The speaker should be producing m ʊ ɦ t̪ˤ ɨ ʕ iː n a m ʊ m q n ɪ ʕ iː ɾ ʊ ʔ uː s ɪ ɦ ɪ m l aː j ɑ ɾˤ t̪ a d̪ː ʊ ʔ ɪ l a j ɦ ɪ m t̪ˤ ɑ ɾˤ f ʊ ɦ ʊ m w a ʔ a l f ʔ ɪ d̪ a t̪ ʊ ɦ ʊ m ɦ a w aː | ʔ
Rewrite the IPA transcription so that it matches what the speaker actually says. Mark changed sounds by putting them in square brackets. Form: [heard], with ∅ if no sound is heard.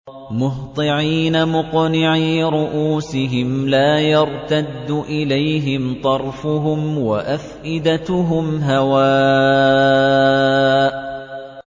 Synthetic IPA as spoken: m ʊ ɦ t̪ˤ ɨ ʕ iː n a m ʊ [∅] q n ɪ ʕ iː ɾ ʊ ʔ uː s ɪ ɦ ɪ m l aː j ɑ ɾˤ t̪ a d̪ː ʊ ʔ ɪ l a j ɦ ɪ m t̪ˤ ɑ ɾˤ f ʊ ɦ ʊ m w a ʔ a [∅] f ʔ ɪ d̪ a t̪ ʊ ɦ ʊ m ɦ a w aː | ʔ